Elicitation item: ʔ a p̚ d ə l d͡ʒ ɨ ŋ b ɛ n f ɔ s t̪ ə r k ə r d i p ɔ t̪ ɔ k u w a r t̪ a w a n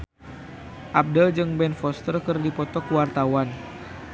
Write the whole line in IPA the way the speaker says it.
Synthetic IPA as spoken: ʔ a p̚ d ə l d͡ʒ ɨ ŋ b ɛ n f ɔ s t̪ ə r k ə r d i p ɔ t̪ ɔ k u w a r t̪ a w a n